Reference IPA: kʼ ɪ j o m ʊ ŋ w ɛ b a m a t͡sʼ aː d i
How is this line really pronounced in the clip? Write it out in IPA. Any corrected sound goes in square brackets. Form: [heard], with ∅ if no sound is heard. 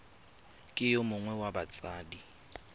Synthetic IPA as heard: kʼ ɪ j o m ʊ ŋ w ɛ [w] a [b] a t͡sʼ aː d i